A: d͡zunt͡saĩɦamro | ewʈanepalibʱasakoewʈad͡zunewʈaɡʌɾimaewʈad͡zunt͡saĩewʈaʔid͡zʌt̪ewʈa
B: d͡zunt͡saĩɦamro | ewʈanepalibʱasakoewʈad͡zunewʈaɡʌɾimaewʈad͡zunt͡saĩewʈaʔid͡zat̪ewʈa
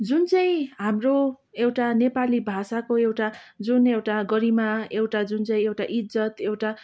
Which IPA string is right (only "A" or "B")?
A